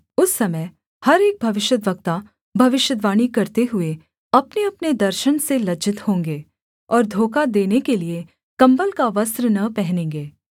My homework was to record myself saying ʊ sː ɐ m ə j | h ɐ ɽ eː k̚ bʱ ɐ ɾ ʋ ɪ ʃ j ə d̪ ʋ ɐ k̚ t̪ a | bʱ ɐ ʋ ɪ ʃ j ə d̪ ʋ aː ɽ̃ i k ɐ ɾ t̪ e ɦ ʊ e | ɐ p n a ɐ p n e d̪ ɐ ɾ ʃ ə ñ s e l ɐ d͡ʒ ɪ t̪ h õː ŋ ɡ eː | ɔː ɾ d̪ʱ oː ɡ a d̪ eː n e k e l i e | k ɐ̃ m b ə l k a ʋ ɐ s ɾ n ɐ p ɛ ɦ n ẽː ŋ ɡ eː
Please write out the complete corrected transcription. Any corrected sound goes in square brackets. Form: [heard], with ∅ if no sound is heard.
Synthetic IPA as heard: ʊ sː ɐ m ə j | h ɐ [ɾ] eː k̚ bʱ ɐ [∅] ʋ ɪ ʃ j ə d̪ ʋ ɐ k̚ t̪ a | bʱ ɐ ʋ ɪ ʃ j ə d̪ ʋ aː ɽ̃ i k ɐ ɾ t̪ e ɦ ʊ e | ɐ p n [e] ɐ p n e d̪ ɐ ɾ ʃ ə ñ s e l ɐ d͡ʒ ɪ t̪ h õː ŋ ɡ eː | ɔː ɾ d̪ʱ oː [k] a d̪ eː n e k e l i e | k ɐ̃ m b ə l k a ʋ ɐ s ɾ n ɐ p ɛ ɦ n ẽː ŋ ɡ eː